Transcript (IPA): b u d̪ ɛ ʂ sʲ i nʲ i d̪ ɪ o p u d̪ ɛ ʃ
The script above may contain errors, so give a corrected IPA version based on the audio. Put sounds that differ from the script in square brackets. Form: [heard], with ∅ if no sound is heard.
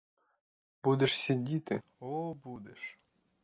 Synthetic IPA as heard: b u d̪ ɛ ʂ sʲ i [dʲ] i [t̪] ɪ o [b] u d̪ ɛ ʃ